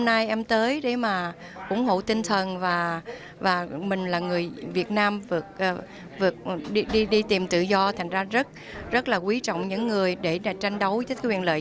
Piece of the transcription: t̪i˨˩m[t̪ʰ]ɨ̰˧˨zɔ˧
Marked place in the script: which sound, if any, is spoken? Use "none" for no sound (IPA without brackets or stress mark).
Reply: t̪